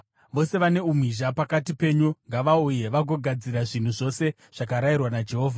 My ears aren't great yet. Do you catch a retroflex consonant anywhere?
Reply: yes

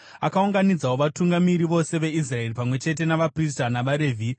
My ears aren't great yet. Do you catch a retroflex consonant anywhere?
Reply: no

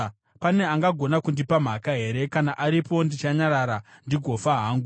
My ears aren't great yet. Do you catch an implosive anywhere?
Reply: no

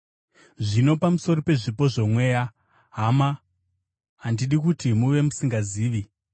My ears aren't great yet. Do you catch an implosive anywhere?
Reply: yes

